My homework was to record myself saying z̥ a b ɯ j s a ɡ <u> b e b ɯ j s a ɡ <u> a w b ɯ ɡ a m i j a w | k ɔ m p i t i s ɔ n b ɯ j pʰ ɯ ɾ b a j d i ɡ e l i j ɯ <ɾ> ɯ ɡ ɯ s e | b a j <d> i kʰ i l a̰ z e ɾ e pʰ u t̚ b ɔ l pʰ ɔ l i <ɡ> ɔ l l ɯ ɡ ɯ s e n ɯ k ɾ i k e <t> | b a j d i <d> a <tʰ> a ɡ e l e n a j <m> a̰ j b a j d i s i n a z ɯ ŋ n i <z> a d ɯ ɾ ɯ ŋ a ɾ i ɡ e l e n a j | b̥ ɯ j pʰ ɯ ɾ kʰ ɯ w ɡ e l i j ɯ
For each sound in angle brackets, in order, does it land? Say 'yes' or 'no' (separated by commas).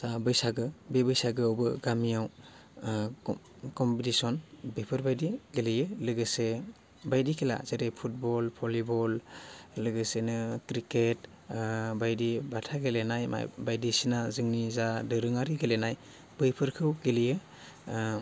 no, no, no, yes, no, yes, no, yes, yes, yes